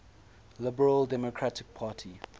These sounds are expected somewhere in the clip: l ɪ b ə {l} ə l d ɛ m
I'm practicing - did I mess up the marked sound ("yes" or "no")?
yes